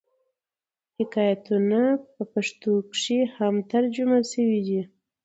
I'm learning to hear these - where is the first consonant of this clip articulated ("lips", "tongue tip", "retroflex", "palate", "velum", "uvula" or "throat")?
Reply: throat